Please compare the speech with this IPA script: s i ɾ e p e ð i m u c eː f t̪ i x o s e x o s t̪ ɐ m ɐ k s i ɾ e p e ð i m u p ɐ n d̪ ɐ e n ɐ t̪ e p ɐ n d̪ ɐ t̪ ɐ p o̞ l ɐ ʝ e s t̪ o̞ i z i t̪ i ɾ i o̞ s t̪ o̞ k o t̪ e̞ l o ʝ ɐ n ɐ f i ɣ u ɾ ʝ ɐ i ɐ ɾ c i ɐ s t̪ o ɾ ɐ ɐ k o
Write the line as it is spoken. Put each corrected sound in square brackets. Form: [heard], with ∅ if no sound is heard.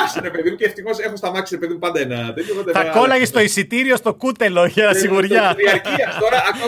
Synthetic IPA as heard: s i ɾ e p e ð i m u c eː f t̪ i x o s e x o s t̪ ɐ m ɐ k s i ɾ e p e ð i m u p ɐ n d̪ ɐ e n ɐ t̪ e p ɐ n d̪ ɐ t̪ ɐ [k] o̞ l ɐ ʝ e s t̪ o̞ i [s] i t̪ i ɾ i o̞ s t̪ o̞ k [u] t̪ e̞ l o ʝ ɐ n ɐ [s] i ɣ u ɾ ʝ ɐ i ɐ ɾ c i ɐ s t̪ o ɾ ɐ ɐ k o